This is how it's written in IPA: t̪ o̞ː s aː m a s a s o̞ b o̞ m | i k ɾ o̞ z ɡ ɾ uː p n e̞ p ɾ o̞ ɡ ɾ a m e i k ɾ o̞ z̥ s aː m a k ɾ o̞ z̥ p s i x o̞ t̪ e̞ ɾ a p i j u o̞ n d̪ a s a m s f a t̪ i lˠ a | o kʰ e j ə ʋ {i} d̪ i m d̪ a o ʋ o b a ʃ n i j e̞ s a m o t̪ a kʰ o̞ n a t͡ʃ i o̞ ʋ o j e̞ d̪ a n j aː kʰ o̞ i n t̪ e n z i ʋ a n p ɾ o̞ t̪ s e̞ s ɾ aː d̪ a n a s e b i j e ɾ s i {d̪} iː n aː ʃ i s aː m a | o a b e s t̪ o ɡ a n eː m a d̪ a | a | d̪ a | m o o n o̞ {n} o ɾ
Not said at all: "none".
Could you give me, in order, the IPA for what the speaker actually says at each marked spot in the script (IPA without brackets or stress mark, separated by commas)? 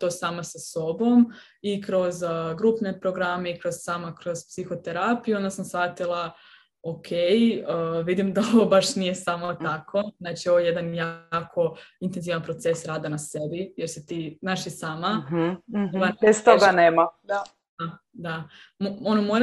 i, t̪, m